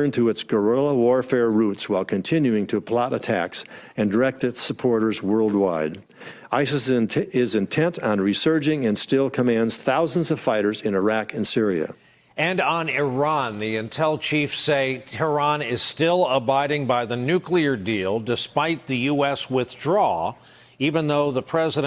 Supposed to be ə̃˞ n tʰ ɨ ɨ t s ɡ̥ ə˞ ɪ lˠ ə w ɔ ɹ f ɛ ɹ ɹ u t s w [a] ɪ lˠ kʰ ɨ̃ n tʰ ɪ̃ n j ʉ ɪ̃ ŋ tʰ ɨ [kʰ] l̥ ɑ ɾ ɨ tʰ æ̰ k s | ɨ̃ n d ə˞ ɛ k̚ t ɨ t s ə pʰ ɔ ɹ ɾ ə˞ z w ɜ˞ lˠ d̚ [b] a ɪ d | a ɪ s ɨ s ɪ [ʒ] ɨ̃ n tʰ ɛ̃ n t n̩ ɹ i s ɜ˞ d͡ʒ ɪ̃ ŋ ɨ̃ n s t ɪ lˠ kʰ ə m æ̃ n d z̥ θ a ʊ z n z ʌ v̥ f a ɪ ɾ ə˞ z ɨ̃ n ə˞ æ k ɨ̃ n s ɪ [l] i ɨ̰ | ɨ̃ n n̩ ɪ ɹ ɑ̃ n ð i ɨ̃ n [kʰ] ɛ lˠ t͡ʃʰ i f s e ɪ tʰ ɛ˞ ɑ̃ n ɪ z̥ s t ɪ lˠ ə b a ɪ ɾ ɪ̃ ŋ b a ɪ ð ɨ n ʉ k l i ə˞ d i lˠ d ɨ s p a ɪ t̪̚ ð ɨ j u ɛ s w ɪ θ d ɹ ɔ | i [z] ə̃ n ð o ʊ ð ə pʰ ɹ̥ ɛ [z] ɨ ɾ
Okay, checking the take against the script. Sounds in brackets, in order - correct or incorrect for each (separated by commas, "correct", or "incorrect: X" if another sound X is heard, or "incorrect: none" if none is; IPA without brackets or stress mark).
correct, incorrect: pʰ, incorrect: w, incorrect: z, incorrect: ɹ, incorrect: tʰ, incorrect: v, correct